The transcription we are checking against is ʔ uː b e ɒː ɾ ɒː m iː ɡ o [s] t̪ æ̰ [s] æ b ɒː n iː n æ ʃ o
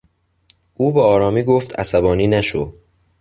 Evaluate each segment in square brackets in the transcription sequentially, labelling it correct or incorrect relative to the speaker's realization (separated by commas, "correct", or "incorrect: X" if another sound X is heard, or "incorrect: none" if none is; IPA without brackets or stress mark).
incorrect: f, correct